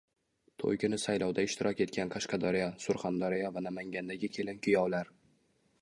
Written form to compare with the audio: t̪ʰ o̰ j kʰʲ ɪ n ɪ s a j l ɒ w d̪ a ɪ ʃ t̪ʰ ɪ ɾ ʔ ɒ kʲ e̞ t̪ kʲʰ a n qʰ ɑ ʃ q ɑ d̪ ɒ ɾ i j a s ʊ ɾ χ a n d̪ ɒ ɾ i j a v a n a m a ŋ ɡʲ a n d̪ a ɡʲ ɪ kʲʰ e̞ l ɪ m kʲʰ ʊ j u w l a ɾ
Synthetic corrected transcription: t̪ʰ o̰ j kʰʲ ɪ n ɪ s a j l ɒ w d̪ a ɪ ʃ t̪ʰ ɪ ɾ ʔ ɒ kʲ e̞ t̪ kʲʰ a n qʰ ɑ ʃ q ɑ d̪ ɒ ɾ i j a s ʊ ɾ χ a n d̪ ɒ ɾ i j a v a n a m a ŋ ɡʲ a n d̪ a ɡʲ ɪ kʲʰ e̞ l ɪ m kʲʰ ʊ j ɒ w l a ɾ

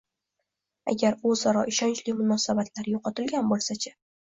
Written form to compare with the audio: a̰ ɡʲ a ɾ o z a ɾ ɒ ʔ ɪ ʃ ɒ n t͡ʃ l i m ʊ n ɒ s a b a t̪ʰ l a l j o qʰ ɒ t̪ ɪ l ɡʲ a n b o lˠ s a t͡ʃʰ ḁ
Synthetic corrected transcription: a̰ ɡʲ a ɾ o z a ɾ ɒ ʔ ɪ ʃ ɒ n t͡ʃ l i m ʊ n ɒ s a b a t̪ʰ l a ɾ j o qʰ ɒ t̪ ɪ l ɡʲ a n b o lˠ s a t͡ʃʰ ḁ

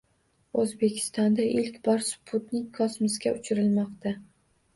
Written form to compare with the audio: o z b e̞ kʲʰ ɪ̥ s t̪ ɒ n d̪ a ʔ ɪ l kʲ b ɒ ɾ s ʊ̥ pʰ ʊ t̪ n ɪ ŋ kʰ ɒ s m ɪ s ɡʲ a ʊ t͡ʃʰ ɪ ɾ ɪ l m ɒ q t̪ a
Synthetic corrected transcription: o z b e̞ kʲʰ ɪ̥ s t̪ ɒ n d̪ a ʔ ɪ l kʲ b ɒ ɾ s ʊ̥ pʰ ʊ t̪ n ɪ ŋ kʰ ɒ s m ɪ s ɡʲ a ʊ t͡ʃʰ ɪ ɾ ɪ l m ɒ q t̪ a

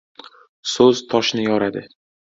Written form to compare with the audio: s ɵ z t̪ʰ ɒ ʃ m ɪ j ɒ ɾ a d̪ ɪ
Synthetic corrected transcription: s ɵ z t̪ʰ ɒ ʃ n ɪ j ɒ ɾ a d̪ ɪ

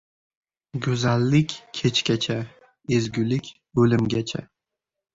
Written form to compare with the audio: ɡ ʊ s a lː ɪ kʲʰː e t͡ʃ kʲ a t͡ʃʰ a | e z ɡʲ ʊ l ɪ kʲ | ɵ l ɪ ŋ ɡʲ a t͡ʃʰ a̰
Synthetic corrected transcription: ɡ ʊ z a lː ɪ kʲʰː e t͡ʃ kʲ a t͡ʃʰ a | e z ɡʲ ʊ l ɪ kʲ | ɵ l ɪ m ɡʲ a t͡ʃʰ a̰

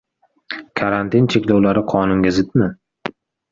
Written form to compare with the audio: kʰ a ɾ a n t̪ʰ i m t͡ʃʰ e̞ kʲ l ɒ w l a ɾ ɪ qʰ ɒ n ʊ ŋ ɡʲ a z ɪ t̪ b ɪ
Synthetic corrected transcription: kʰ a ɾ a n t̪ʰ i n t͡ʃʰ e̞ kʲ l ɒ w l a ɾ ɪ qʰ ɒ n ʊ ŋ ɡʲ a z ɪ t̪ m ɪ

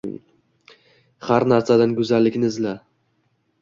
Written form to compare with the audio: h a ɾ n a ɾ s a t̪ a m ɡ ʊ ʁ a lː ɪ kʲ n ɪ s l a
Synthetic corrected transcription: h a ɾ n a ɾ s a d̪ a n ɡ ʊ z a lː ɪ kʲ n ɪ z l a

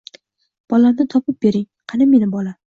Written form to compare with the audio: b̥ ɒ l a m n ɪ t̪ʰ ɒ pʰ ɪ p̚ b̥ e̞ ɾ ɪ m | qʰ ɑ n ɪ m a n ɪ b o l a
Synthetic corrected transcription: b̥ ɒ l a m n ɪ t̪ʰ ɒ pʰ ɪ p̚ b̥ e̞ ɾ ɪ ŋ | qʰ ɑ n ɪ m e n ɪ b ɒ l a

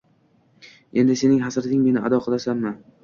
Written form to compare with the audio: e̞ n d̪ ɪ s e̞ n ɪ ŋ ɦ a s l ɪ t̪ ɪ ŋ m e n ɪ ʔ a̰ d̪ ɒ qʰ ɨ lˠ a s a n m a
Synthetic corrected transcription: e̞ n d̪ ɪ s e̞ n ɪ ŋ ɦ a s ɾ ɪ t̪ ɪ ŋ m e n ɪ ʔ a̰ d̪ ɒ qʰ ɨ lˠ a s a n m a

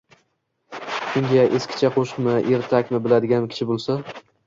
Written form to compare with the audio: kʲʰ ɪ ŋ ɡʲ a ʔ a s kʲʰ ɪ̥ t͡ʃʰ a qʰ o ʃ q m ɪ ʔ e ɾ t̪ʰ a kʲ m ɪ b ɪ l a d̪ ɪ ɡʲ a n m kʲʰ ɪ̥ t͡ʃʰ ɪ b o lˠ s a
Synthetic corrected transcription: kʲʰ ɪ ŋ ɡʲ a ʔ e s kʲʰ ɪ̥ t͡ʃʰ a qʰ o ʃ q m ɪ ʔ e ɾ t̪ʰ a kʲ m ɪ b ɪ l a d̪ ɪ ɡʲ a n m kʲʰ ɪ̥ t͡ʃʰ ɪ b o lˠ s a

